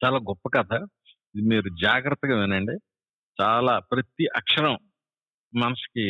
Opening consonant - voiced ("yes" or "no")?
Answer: no